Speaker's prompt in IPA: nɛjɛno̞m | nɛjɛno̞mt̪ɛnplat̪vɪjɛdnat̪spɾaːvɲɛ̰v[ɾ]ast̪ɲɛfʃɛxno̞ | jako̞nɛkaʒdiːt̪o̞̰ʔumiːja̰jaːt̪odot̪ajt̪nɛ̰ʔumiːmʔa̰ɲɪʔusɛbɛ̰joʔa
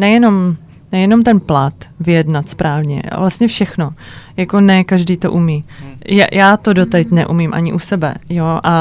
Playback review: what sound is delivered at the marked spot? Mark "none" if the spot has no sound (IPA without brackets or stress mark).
l